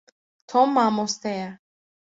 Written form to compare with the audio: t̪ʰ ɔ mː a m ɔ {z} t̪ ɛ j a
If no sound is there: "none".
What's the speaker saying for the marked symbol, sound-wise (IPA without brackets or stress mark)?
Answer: s